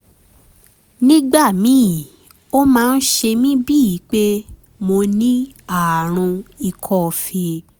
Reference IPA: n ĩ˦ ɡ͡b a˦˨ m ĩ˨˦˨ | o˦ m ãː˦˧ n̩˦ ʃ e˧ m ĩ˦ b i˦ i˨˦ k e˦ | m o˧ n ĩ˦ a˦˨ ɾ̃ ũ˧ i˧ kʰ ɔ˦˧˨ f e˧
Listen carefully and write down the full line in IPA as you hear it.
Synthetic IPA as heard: n ĩ˦ ɡ͡b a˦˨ m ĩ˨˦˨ | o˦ m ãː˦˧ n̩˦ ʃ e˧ m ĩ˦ b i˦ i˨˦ k͡p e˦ | m o˧ n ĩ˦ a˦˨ ɾ̃ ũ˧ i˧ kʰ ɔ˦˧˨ f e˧

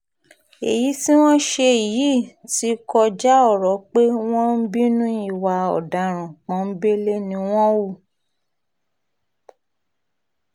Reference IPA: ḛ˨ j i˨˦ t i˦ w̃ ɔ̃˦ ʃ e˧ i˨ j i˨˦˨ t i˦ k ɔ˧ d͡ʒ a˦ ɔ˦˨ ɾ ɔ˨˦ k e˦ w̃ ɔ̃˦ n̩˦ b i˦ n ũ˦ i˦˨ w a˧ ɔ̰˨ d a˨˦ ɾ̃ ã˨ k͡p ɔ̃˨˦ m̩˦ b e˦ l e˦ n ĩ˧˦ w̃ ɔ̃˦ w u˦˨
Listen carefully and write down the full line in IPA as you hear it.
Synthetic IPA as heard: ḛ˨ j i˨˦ t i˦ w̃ ɔ̃˦ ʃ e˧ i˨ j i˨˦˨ t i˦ k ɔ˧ d͡ʒ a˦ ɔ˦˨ ɾ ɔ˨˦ k͡p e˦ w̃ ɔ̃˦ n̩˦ b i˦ n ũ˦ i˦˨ w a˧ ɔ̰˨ d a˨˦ ɾ̃ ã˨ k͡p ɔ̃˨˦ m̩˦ b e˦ l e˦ n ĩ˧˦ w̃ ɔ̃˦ w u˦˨

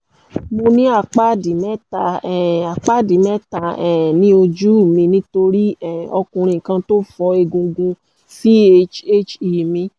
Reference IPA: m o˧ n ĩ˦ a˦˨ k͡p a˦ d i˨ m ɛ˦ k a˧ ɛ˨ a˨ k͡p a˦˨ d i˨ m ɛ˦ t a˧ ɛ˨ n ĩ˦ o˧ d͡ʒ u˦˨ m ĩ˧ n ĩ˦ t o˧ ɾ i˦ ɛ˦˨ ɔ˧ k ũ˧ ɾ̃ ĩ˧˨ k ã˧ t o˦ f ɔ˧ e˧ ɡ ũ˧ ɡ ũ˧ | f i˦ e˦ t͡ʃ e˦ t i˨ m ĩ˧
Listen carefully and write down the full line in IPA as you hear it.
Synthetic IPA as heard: m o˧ n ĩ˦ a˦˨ k͡p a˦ d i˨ m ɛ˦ t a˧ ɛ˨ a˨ k͡p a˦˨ d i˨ m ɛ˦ t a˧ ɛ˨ n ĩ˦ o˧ d͡ʒ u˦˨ m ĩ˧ n ĩ˦ t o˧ ɾ i˦ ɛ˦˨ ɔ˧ k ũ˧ ɾ̃ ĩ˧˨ k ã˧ t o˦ f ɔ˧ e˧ ɡ ũ˧ ɡ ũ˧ | f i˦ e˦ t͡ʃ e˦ t͡ʃ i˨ m ĩ˧

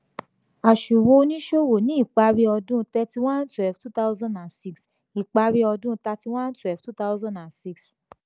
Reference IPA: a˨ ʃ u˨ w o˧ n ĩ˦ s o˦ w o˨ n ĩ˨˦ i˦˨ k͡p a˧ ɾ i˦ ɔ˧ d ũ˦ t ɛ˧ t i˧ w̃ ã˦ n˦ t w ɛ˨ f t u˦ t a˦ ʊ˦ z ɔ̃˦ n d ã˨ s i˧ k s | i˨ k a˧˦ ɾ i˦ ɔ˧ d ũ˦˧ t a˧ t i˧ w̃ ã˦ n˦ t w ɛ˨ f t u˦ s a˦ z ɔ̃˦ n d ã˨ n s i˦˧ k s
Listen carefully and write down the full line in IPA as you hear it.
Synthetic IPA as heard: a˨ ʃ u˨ w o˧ n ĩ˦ ʃ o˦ w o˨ n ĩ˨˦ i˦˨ k͡p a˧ ɾ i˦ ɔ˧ d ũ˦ t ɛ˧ t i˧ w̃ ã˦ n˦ t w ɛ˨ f t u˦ t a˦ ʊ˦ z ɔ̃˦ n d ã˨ s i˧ k s | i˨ k͡p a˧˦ ɾ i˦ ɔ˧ d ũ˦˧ t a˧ t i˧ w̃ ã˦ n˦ t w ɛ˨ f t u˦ t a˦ z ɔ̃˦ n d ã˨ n s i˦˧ k s

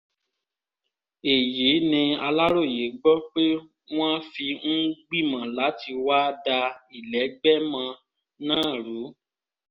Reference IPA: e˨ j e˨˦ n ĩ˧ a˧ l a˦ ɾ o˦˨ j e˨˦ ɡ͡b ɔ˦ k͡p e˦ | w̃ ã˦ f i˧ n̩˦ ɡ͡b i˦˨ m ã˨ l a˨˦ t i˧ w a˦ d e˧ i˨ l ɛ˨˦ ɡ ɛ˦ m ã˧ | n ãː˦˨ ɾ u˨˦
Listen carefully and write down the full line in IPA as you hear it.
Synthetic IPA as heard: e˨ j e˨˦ n ĩ˧ a˧ l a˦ ɾ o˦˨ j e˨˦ ɡ͡b ɔ˦ k͡p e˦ | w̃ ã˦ f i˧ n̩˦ ɡ͡b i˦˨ m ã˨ l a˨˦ t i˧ w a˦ d a˧ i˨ l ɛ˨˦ ɡ͡b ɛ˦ m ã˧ | n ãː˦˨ ɾ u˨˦

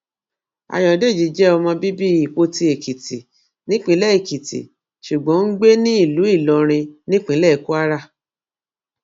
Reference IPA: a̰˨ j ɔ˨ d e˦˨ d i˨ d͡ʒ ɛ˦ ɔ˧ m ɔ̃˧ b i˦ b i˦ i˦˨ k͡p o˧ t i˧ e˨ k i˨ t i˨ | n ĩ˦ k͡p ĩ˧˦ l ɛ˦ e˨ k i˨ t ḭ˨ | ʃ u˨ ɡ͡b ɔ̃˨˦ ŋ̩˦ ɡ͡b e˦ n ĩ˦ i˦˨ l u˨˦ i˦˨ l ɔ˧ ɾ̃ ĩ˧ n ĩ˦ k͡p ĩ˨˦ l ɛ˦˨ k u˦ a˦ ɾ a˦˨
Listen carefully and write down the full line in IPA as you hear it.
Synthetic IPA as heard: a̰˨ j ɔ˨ d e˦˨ d͡ʒ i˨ d͡ʒ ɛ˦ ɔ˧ m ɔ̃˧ b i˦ b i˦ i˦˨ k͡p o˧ t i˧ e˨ k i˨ t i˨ | n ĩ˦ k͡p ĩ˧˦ l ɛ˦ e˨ k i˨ t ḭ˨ | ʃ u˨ ɡ͡b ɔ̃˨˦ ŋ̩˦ ɡ͡b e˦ n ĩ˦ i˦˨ l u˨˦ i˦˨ l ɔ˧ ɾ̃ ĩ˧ n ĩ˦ k͡p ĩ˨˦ l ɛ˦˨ k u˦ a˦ ɾ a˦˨

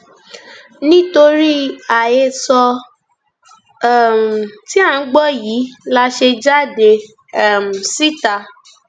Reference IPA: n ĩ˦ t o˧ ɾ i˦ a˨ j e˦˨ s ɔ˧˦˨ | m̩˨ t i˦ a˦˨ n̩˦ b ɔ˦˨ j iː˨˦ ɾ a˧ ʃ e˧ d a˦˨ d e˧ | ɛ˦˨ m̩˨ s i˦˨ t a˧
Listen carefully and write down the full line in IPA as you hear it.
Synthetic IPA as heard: n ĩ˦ t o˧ ɾ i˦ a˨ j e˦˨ s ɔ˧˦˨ | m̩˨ t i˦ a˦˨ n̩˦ ɡ͡b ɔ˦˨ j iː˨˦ l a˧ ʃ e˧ d͡ʒ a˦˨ d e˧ | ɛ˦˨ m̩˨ s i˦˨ t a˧

